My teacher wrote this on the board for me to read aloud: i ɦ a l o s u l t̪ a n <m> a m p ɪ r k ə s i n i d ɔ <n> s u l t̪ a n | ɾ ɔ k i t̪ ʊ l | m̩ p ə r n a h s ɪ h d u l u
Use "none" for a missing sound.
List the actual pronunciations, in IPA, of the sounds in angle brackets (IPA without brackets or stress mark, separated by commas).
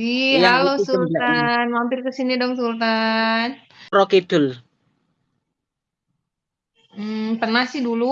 m, ŋ